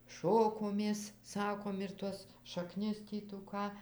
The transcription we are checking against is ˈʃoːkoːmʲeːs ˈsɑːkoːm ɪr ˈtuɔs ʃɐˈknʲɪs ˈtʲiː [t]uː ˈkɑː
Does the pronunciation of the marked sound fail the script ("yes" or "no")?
no